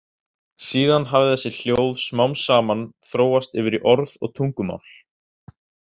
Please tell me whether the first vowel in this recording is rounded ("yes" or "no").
no